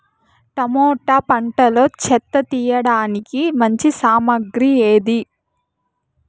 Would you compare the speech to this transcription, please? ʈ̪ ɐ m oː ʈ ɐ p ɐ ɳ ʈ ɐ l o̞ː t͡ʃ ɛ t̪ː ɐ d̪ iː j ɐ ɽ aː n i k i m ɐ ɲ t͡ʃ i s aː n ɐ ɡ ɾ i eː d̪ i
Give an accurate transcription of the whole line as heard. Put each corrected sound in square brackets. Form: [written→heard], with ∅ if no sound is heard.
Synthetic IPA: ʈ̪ ɐ m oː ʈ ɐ p ɐ ɳ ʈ ɐ l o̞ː t͡ʃ ɛ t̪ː ɐ [d̪→t̪] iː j ɐ ɽ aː n i k i m ɐ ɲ t͡ʃ i s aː [n→m] ɐ ɡ ɾ i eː d̪ i